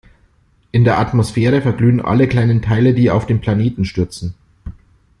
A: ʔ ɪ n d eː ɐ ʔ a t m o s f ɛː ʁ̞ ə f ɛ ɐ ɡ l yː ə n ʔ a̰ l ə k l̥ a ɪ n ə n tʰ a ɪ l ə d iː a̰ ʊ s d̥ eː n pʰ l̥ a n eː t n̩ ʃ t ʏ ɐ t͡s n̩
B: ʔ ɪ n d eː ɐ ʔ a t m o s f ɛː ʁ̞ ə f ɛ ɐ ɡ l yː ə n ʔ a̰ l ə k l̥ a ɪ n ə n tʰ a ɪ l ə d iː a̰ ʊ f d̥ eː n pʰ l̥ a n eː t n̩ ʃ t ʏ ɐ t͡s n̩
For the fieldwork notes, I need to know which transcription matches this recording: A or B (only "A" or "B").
B